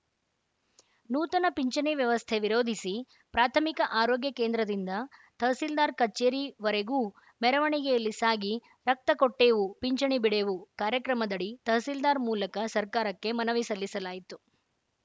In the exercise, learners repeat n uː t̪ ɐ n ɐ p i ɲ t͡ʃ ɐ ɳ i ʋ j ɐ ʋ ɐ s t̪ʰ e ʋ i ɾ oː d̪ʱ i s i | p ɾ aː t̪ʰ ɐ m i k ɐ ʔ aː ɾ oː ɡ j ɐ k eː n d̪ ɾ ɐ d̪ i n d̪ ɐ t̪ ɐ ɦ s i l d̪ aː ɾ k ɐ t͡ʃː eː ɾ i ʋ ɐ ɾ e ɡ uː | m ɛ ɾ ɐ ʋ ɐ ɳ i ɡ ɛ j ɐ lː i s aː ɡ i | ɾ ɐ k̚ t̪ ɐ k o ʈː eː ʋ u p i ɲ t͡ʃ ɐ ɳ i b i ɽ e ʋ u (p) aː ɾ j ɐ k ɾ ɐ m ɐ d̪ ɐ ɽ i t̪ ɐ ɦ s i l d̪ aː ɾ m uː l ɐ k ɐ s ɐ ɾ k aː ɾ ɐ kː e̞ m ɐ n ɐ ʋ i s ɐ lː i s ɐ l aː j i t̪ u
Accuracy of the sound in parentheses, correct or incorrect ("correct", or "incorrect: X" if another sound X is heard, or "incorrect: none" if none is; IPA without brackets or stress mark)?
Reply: incorrect: k